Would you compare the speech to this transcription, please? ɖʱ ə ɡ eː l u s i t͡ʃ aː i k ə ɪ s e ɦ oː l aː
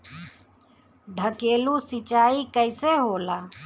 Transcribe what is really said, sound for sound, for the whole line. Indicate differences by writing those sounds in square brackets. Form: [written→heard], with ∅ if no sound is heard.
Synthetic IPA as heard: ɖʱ ə [ɡ→k] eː l u s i t͡ʃ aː i k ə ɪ s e ɦ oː l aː